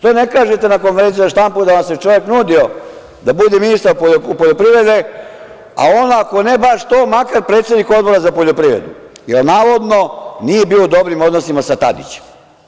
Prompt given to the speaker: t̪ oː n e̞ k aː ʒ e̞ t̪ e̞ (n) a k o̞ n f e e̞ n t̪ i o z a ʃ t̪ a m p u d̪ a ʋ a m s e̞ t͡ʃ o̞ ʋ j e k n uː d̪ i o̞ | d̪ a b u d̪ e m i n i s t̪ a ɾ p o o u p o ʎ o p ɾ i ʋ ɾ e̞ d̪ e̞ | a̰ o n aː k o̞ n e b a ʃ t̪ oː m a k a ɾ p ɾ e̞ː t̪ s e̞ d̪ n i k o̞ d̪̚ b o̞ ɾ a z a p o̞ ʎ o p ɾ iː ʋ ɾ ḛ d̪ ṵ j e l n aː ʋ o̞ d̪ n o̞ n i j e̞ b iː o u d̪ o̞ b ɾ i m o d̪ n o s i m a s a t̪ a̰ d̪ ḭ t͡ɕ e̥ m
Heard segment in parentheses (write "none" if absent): n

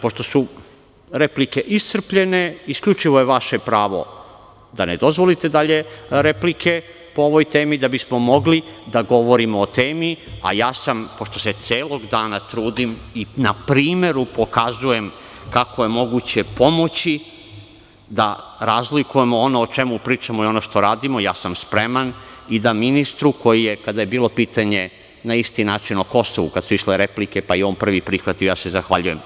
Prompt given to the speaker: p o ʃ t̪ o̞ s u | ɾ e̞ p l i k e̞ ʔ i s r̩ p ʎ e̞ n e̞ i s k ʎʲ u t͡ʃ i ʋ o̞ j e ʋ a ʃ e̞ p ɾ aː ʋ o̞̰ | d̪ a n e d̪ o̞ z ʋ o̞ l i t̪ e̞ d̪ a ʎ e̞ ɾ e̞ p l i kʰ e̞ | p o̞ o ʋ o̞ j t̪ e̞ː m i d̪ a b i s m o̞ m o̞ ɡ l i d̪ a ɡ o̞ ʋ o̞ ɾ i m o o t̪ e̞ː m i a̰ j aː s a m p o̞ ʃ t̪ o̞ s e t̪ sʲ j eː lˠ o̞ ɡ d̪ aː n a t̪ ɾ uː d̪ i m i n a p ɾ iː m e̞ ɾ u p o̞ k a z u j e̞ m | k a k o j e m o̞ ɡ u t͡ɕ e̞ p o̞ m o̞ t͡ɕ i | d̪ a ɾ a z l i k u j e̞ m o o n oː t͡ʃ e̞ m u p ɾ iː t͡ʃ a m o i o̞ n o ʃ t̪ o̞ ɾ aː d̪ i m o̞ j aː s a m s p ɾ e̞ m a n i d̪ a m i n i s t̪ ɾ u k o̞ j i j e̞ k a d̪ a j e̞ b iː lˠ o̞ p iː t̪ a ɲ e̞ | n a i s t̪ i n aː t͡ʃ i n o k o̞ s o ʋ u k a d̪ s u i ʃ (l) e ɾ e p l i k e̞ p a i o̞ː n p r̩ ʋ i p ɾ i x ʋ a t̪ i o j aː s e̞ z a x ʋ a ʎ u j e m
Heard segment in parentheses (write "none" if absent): l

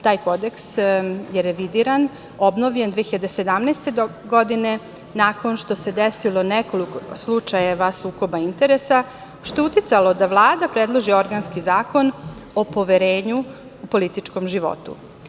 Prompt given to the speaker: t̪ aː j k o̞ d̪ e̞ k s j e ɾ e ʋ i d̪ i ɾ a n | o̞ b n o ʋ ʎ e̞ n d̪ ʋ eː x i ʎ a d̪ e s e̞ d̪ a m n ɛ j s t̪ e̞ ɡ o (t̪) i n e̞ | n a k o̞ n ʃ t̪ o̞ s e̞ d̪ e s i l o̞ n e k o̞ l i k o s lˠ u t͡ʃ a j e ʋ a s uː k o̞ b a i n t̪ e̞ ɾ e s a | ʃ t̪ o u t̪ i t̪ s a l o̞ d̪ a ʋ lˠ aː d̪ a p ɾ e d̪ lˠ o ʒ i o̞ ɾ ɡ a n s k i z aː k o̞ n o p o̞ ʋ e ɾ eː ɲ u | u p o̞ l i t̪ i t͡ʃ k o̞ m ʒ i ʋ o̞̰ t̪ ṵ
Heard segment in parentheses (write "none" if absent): d̪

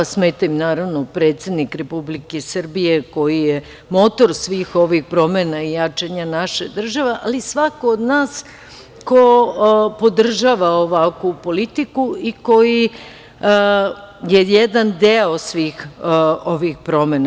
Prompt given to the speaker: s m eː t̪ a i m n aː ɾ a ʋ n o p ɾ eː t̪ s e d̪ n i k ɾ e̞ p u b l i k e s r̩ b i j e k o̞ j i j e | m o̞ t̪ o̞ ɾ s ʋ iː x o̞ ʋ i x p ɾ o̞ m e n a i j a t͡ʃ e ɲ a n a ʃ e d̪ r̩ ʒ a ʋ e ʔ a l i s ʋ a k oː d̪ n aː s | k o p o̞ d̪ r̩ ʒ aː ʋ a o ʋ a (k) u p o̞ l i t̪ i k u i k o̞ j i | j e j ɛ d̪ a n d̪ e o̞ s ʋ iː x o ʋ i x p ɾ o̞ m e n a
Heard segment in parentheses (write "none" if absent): k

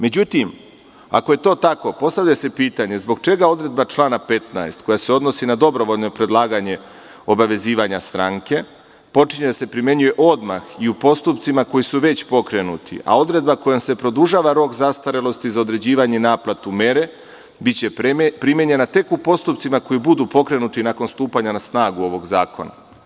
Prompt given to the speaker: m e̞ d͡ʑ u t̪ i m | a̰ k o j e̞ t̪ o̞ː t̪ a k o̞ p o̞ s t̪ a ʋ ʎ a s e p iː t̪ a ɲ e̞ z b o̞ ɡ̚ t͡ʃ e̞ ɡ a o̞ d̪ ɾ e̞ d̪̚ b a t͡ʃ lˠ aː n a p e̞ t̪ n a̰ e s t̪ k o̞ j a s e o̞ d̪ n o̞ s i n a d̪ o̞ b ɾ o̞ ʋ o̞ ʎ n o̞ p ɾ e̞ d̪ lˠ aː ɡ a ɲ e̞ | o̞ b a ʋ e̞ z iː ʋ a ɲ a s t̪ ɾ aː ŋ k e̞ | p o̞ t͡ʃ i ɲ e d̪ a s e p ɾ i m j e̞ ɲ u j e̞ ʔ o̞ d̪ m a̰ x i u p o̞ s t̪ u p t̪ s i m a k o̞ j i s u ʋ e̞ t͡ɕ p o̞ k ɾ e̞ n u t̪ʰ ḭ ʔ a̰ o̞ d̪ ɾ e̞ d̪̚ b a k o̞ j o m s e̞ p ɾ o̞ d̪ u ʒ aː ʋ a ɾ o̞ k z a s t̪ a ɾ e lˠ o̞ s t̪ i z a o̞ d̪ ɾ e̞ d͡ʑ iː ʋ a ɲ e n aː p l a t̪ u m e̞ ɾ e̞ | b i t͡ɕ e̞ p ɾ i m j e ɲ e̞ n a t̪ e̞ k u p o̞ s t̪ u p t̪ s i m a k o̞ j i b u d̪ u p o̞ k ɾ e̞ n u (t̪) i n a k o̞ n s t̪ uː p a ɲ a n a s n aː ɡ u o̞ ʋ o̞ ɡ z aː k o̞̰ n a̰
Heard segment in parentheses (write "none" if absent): t̪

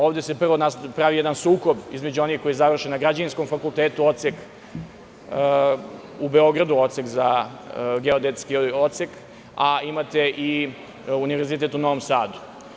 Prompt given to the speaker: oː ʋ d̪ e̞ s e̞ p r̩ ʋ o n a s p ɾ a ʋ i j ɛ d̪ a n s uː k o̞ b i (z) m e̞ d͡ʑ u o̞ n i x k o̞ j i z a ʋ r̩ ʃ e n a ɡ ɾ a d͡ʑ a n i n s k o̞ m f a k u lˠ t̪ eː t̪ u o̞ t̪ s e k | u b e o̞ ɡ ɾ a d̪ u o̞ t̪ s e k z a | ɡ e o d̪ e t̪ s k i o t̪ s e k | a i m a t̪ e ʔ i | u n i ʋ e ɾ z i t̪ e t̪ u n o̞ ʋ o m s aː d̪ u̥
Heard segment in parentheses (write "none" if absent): z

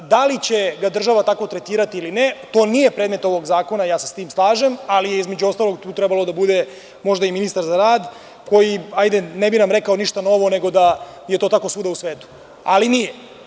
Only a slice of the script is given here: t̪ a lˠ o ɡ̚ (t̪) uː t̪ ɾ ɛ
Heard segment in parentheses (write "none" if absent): t̪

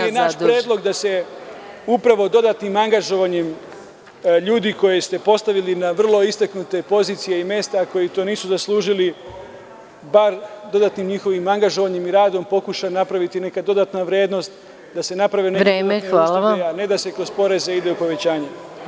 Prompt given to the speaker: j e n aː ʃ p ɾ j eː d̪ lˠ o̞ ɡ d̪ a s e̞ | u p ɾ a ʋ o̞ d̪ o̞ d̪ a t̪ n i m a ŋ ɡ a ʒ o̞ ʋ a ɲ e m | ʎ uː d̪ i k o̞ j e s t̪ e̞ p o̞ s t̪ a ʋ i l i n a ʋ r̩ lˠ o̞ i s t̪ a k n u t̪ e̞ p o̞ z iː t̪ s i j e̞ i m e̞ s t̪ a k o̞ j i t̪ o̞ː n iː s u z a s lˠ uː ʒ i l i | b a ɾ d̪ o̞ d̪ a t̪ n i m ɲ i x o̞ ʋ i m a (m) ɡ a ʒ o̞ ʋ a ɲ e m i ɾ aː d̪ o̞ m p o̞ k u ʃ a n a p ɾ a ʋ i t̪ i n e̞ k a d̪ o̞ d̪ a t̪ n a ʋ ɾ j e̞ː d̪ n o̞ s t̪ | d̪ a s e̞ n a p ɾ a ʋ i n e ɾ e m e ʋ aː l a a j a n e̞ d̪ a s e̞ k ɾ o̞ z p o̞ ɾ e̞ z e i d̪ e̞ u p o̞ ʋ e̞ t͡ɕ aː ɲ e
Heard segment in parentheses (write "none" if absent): ŋ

